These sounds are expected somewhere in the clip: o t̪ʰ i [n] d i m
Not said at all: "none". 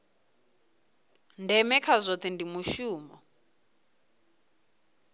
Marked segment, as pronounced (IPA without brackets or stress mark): n